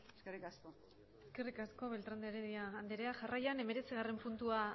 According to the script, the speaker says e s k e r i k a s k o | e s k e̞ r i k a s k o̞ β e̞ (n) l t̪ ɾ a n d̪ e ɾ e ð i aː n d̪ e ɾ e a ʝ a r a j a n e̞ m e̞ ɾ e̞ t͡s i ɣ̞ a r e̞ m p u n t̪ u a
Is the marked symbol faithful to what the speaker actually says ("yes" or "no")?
no